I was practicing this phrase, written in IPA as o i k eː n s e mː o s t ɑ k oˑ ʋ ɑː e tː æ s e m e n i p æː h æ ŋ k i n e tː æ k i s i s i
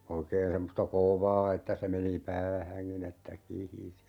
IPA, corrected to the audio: o i k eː n s e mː o s t ɑ k oˑ ʋ ɑː e tː æ s e m e n i p æː h æ ŋ k i n e tː æ k i h i s i